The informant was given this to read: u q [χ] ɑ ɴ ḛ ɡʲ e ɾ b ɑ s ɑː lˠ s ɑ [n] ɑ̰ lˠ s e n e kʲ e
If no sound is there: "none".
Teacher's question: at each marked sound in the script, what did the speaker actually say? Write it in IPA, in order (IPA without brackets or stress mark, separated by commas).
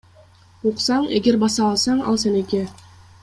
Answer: s, ɴ